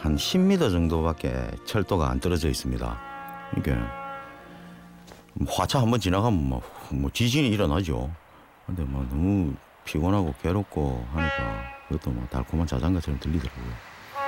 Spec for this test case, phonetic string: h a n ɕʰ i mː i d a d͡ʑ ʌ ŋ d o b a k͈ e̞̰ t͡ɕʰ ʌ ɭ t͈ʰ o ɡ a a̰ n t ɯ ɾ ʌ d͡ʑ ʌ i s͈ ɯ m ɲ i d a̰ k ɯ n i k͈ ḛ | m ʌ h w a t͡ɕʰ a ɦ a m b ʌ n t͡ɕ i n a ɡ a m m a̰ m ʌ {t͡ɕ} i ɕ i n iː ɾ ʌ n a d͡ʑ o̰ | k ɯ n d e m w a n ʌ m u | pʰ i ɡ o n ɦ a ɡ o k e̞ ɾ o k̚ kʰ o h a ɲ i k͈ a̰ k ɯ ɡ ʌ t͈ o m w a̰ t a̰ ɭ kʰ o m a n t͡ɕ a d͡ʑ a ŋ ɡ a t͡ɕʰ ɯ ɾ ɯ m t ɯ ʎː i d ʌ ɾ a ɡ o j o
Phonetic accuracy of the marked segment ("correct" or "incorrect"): correct